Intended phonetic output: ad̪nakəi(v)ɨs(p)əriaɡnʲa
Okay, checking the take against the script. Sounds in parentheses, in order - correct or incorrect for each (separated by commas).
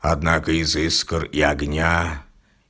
incorrect, incorrect